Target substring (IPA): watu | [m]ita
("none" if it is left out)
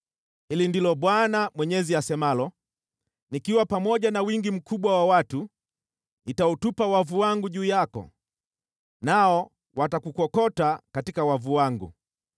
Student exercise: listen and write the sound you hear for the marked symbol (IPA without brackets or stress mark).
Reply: n